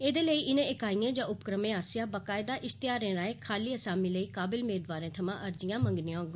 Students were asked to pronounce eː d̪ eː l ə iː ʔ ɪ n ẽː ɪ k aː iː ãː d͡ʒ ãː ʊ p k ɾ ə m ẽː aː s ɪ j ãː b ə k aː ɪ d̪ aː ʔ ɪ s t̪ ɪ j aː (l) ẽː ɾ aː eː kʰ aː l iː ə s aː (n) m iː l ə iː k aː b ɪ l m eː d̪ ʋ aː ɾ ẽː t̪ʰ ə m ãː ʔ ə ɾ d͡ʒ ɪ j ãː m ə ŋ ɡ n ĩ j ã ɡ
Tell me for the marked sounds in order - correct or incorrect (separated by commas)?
incorrect, incorrect